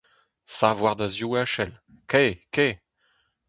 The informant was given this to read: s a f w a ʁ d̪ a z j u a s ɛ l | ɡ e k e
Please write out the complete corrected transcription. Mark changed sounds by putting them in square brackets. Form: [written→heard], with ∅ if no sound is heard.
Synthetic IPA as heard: s a [f→v] w a ʁ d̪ a z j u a [s→ʃ] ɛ l | [ɡ→k] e k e